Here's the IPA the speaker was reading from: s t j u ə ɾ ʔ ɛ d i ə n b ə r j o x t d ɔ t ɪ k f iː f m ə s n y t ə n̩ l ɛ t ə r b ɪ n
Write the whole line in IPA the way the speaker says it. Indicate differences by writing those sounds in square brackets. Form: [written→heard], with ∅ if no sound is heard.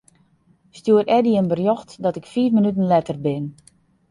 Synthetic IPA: s t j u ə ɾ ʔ ɛ d i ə n b ə r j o x t d ɔ t ɪ k f iː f m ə [s→∅] n y t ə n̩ l ɛ t ə r b ɪ n